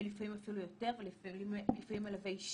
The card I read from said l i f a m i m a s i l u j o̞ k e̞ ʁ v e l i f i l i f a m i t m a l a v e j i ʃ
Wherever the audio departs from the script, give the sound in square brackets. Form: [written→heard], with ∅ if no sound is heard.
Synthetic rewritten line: l i f a m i m a [s→f] i l u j o̞ [k→t] e̞ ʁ v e l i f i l i f a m i [t→∅] m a l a v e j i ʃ